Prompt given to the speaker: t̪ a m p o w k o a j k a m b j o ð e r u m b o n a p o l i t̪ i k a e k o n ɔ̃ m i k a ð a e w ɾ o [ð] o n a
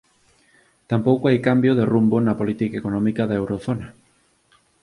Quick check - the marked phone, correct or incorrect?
incorrect